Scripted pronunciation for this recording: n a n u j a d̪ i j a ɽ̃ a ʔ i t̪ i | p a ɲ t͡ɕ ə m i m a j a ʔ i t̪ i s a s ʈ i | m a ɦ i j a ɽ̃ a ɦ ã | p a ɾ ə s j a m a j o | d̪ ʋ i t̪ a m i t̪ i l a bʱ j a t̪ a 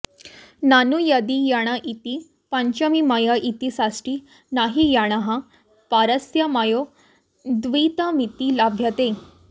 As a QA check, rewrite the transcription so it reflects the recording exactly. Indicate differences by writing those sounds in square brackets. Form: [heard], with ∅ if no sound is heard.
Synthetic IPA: n a n u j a d̪ i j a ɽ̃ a ʔ i t̪ i | p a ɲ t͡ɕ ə m i m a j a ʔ i t̪ i s a s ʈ i | [n] a ɦ i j a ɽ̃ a ɦ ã | p a ɾ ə s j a m a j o | d̪ ʋ i t̪ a m i t̪ i l a bʱ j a t̪ [e]